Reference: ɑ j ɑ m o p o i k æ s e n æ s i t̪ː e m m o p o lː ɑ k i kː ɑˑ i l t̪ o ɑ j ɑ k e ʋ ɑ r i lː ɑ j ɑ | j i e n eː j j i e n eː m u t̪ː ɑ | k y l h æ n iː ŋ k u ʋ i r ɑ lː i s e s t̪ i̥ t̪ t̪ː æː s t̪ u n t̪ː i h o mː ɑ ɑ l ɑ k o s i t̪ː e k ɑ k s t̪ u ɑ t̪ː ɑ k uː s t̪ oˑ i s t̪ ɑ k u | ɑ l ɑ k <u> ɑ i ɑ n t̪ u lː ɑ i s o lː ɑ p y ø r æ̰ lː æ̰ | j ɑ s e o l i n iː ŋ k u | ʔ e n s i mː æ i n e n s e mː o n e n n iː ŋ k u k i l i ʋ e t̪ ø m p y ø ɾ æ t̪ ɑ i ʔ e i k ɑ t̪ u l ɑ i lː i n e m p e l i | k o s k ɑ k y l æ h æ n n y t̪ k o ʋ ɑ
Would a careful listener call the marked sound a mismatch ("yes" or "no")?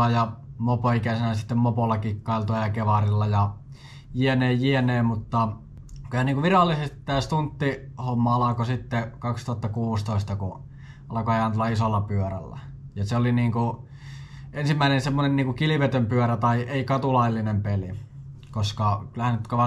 yes